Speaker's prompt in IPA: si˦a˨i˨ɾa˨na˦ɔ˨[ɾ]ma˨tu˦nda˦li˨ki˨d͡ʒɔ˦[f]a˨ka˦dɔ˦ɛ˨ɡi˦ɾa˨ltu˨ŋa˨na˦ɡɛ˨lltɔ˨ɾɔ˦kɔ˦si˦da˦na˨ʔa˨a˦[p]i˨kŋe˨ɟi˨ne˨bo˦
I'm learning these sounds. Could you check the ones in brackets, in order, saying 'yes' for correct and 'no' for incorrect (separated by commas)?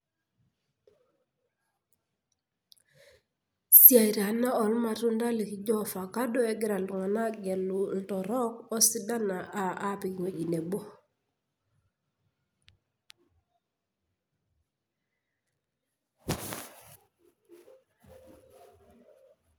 no, yes, yes